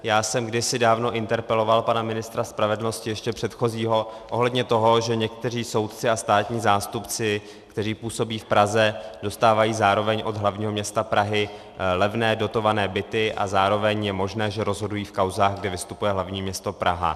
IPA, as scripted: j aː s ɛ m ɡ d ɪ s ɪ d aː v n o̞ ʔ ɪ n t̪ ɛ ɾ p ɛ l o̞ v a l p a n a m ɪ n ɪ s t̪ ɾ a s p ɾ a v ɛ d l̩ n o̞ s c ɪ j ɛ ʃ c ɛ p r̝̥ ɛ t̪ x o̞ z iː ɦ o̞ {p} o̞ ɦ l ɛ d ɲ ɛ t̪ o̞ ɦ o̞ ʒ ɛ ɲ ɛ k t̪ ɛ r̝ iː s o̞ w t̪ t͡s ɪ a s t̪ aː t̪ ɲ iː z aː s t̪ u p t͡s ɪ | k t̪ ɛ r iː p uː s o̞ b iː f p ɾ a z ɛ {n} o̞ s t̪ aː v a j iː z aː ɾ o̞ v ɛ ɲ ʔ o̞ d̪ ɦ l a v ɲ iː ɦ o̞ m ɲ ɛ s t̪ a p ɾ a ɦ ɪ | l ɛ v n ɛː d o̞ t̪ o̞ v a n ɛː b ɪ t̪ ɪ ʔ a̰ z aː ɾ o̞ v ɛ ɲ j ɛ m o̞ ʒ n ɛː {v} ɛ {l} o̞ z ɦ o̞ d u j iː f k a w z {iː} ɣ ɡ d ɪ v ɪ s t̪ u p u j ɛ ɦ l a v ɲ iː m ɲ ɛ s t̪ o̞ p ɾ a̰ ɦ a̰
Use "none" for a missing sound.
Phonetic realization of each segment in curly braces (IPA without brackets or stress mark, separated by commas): ʔ, d, ʒ, ɾ, aː